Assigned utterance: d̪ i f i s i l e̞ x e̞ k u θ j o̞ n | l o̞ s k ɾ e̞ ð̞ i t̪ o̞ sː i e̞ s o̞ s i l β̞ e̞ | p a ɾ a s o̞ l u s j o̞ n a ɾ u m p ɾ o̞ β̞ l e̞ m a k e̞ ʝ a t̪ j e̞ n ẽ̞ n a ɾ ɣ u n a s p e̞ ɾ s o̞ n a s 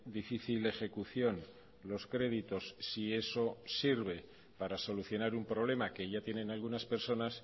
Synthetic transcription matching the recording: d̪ i f i θ i l e̞ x e̞ k u θ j o̞ n | l o̞ s k ɾ e̞ ð̞ i t̪ o̞ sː i e̞ s o̞ s i ɾ β̞ e̞ | p a ɾ a s o̞ l u θ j o̞ n a ɾ u m p ɾ o̞ β̞ l e̞ m a k e̞ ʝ a t̪ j e̞ n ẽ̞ n a l ɣ u n a s p e̞ ɾ s o̞ n a s